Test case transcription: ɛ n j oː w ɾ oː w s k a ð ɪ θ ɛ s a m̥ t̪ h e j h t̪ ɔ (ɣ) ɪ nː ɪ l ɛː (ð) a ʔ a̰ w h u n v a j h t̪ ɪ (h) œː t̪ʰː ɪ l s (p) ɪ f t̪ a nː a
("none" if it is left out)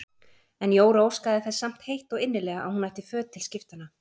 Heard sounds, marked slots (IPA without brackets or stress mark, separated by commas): ɣ, ɣ, f, c